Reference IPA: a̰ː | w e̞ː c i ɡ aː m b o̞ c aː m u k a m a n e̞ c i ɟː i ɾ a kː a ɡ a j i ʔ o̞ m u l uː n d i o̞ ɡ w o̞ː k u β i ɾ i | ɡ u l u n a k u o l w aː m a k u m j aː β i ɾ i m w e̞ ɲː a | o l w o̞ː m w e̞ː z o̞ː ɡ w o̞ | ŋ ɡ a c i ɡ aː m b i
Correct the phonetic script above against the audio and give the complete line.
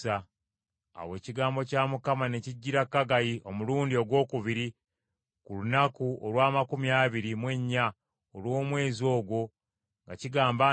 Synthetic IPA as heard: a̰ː | w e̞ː c i ɡ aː m b o̞ c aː m u k a m a n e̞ c i ɟː i ɾ a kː a ɡ a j i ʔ o̞ m u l uː n d i o̞ ɡ w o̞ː k u β i ɾ i | k u l u n a k u o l w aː m a k u m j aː β i ɾ i m w e̞ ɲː a | o l w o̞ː m w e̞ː z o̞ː ɡ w o̞ | ŋ ɡ a c i ɡ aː m b a